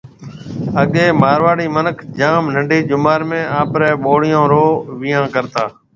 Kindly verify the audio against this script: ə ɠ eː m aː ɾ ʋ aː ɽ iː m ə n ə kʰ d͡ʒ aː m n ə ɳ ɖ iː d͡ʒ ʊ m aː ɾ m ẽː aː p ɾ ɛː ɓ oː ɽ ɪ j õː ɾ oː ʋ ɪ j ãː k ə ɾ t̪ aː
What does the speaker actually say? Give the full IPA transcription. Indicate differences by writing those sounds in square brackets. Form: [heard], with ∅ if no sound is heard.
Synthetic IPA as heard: ə ɠ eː m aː ɾ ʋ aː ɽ iː m ə n ə kʰ d͡ʒ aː m n ə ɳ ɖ iː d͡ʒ ʊ m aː ɾ m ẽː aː p ɾ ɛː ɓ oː ɽ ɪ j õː ɾ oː ʋ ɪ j ãː k ə ɾ t̪ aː